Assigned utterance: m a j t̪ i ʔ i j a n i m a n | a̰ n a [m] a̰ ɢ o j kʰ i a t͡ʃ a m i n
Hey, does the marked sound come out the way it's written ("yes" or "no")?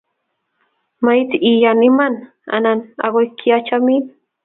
no